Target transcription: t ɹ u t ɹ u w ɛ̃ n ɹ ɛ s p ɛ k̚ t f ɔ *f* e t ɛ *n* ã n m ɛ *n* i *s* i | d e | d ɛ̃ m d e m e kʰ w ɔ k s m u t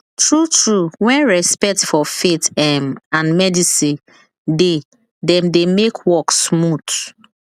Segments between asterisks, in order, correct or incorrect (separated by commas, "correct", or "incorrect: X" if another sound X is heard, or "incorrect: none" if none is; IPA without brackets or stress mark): correct, incorrect: m, incorrect: d, correct